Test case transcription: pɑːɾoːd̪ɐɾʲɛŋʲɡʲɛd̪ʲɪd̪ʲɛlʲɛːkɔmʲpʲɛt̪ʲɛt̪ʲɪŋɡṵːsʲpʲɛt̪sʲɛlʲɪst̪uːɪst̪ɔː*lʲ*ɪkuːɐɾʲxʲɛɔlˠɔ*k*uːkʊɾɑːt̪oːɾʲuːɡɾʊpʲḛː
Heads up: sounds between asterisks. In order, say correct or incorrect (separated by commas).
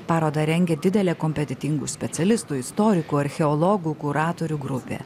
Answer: incorrect, incorrect